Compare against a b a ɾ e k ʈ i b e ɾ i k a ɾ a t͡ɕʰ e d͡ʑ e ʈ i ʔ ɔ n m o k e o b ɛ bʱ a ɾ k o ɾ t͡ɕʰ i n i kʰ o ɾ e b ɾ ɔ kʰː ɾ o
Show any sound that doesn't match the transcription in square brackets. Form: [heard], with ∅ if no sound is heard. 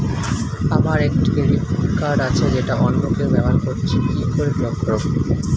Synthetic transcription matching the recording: a [m] a ɾ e k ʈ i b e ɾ i k a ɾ a t͡ɕʰ e d͡ʑ e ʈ [a] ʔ ɔ n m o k e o b ɛ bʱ a ɾ k o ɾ t͡ɕʰ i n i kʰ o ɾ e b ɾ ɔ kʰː ɾ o